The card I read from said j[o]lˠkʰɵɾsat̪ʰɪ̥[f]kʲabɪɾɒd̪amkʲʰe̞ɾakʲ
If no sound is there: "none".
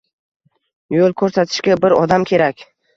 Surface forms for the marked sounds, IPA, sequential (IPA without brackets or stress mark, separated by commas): o, ʃ